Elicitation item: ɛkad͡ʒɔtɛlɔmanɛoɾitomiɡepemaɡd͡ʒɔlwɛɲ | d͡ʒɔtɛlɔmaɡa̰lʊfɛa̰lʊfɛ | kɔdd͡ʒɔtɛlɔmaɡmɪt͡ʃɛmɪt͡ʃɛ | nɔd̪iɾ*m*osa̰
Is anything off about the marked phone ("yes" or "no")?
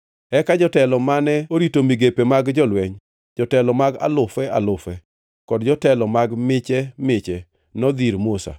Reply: no